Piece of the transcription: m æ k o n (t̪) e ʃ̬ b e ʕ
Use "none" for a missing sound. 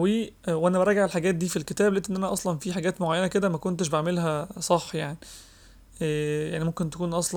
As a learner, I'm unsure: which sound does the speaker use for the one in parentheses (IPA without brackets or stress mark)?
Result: t̪